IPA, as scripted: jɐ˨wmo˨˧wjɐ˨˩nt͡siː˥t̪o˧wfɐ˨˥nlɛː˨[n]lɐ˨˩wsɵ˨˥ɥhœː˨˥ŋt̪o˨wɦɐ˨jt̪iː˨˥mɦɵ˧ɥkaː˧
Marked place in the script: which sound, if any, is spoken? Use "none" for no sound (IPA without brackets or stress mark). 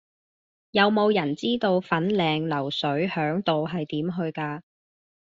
ŋ